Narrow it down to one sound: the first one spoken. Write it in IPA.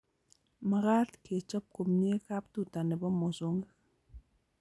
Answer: m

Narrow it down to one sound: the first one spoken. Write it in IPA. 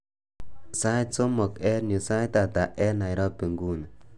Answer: s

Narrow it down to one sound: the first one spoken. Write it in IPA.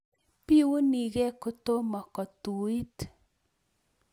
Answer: p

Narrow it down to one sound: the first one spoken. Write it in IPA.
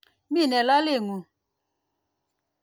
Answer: m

